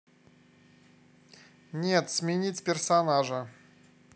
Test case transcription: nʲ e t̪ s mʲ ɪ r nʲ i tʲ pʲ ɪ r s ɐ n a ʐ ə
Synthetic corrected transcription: nʲ e t̪ s mʲ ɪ nʲ i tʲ pʲ ɪ r s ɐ n a ʐ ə